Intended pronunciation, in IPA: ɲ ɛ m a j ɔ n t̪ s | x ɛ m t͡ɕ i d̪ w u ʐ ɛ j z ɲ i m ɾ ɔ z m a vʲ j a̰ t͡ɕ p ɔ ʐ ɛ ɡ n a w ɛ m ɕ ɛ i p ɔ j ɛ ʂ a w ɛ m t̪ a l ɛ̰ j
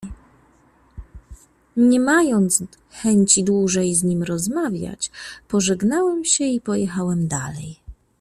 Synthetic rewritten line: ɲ ɛ m a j ɔ n t̪ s | x ɛ ɲ t͡ɕ i d̪ w u ʐ ɛ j z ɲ i m ɾ ɔ z m a vʲ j a̰ t͡ɕ p ɔ ʐ ɛ ɡ n a w ɛ m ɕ ɛ i p ɔ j ɛ x a w ɛ m d̪ a l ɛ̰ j